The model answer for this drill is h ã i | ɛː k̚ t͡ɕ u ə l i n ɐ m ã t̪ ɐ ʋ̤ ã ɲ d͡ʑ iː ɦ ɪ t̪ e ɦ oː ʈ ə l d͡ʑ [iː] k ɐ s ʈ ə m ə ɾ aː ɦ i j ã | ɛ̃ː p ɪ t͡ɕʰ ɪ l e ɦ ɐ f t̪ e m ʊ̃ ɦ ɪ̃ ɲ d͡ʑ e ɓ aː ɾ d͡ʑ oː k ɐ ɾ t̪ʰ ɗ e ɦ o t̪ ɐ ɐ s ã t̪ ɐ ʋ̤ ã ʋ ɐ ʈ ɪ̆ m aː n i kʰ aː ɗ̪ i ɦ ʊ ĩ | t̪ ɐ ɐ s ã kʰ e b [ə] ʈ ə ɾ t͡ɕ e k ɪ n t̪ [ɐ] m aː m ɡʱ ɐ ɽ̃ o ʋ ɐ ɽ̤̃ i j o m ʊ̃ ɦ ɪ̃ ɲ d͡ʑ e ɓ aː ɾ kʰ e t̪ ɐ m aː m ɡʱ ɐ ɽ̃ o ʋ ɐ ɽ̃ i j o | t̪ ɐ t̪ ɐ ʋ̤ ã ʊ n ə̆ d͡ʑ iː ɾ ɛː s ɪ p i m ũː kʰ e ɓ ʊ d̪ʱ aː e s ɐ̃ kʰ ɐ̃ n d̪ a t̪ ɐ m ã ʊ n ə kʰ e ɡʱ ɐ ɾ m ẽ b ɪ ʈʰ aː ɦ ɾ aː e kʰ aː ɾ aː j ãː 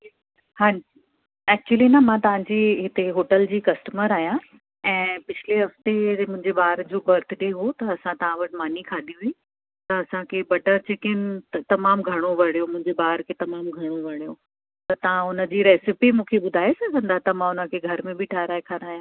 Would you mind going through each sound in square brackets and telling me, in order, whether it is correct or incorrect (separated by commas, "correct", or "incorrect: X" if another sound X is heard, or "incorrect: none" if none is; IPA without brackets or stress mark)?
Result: correct, incorrect: ɐ, correct